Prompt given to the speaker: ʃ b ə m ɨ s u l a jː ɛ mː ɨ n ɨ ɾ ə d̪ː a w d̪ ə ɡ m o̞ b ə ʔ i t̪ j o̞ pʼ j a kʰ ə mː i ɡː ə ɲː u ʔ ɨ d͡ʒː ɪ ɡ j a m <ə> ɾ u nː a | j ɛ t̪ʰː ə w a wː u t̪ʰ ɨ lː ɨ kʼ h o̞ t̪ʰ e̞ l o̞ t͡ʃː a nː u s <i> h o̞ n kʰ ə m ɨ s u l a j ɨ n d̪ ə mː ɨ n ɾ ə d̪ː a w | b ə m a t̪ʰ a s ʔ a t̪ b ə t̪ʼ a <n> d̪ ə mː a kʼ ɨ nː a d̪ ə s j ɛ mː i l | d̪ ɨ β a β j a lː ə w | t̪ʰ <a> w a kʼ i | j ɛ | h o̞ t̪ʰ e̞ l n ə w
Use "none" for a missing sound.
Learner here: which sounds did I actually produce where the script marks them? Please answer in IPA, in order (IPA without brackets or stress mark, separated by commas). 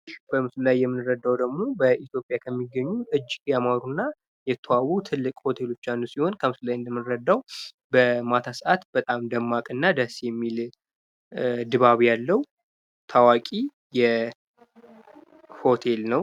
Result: a, i, m, a